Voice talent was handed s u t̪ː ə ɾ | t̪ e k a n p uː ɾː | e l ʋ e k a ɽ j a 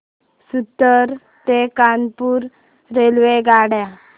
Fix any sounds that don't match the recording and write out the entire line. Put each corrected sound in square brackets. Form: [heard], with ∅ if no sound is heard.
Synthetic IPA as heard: s u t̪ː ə ɾ | t̪ e k a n p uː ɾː | e l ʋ e [ɡ] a ɽ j a